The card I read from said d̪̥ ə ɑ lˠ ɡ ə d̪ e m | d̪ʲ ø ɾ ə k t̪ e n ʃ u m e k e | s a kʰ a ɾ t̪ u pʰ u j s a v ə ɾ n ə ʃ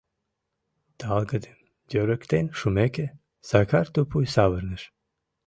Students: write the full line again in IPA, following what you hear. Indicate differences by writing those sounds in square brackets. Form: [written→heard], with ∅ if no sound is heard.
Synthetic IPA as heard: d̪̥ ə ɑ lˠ ɡ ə d̪ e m | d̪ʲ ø ɾ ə k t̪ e n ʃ u m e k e | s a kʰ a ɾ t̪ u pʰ u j s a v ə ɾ n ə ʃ